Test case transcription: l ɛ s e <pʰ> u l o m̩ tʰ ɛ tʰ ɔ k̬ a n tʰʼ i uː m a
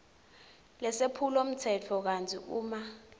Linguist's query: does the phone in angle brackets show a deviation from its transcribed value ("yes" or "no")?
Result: no